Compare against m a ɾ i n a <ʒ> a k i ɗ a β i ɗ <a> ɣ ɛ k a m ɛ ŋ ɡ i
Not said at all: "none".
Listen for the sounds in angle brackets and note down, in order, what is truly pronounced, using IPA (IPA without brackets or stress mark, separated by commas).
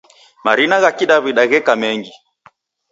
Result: ɣ, a